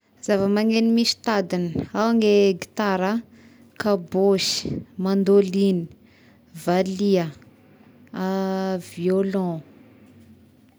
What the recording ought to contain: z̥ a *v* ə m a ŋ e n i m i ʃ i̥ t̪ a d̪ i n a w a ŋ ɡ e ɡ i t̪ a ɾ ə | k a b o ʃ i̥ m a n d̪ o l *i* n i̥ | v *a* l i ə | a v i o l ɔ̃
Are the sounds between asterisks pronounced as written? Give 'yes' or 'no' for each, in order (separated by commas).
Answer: yes, yes, yes